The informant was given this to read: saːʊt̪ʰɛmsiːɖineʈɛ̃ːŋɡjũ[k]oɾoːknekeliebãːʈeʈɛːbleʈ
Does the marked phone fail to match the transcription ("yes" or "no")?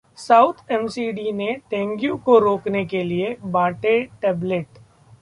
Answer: no